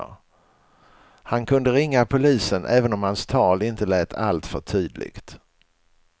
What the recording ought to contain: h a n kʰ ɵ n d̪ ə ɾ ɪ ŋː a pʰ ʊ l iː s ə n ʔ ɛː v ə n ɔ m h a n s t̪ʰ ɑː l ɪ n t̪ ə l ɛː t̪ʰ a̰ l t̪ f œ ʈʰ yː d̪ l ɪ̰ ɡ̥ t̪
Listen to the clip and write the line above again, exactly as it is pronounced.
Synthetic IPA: h a n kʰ ɵ n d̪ ə ɾ ɪ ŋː a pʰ ʊ l iː s ə n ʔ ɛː v ə n ɔ m h a n s t̪ʰ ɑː l ɪ n t̪ ə l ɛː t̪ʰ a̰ l t̪ f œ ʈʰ yː d̪ l ɪ̰ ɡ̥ t̪